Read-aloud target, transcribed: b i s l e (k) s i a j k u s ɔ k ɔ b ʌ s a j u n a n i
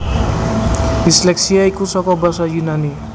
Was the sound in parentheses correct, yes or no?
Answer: yes